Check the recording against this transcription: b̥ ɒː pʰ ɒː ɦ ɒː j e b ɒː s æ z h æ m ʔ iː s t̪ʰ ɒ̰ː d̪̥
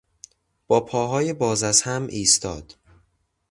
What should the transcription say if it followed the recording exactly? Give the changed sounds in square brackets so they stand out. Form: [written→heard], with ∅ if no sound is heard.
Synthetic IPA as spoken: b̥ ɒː pʰ ɒː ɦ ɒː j e b ɒː [s→z] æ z h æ m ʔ iː s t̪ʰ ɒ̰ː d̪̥